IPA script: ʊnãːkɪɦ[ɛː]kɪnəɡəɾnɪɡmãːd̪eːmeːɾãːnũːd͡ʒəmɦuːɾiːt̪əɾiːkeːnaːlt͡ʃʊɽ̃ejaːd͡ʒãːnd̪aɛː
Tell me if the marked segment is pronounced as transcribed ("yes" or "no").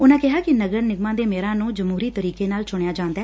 no